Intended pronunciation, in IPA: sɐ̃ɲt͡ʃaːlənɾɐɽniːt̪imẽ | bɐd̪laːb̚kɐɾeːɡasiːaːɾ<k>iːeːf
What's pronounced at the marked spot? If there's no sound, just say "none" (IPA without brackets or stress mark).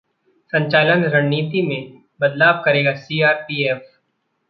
p